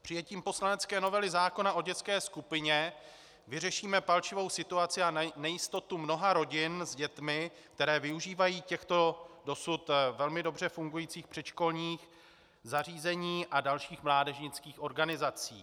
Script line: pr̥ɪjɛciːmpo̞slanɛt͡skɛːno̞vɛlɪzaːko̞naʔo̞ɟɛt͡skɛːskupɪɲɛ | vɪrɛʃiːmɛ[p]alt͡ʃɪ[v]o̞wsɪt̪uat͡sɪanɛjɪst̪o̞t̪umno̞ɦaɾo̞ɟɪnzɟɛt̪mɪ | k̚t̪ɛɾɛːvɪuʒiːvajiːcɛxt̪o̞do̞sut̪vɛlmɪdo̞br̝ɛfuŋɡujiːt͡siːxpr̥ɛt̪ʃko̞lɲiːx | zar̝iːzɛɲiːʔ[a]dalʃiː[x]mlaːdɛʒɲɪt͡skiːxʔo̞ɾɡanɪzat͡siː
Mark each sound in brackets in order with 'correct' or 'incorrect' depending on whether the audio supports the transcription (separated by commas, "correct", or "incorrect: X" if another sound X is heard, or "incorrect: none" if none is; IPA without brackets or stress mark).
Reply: correct, correct, correct, correct